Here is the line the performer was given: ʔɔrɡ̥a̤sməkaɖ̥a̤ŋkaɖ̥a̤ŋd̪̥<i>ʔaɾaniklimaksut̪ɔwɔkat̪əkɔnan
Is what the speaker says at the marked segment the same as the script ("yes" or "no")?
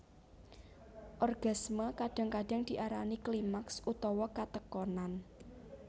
yes